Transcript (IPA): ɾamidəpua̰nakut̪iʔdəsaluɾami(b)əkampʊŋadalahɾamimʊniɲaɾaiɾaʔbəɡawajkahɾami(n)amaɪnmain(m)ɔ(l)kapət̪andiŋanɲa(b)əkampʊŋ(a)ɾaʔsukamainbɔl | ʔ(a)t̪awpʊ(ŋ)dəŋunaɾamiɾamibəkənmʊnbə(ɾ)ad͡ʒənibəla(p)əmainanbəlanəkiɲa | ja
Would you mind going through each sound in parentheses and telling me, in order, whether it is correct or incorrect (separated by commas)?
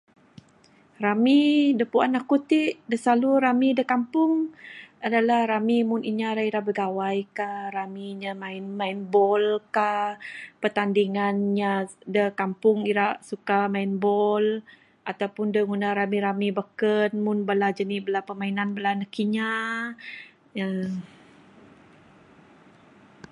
incorrect, incorrect, incorrect, correct, incorrect, incorrect, correct, incorrect, incorrect, correct